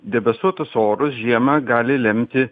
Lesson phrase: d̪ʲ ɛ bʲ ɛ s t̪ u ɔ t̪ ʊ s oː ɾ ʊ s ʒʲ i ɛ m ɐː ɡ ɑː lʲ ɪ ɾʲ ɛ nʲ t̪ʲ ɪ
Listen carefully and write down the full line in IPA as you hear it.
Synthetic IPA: d̪ʲ ɛ bʲ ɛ s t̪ u ɔ t̪ ʊ s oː ɾ ʊ s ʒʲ i ɛ m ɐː ɡ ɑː lʲ ɪ lʲ ɛ mʲ t̪ʲ ɪ